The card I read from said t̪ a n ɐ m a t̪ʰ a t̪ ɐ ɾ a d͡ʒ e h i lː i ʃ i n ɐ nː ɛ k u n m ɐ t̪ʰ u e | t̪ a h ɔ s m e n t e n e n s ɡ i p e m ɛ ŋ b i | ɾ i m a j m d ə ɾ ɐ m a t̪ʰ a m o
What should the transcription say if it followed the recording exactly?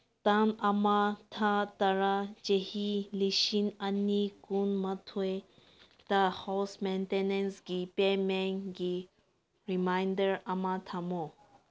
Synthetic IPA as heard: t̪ a n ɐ m a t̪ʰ a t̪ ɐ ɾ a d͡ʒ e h i l i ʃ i n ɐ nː i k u n m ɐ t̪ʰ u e | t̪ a h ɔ s m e n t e n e n s ɡ i p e m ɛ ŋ ɡ i | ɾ i m a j n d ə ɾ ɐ m a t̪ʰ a m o